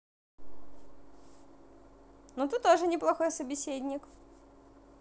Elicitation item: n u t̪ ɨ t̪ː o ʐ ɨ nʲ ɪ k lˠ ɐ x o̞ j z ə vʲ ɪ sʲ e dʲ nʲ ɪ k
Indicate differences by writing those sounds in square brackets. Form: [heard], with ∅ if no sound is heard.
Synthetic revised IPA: n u t̪ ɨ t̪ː o ʐ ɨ nʲ ɪ [p] lˠ ɐ x o̞ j [s] ə [bʲ] ɪ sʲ e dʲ nʲ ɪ k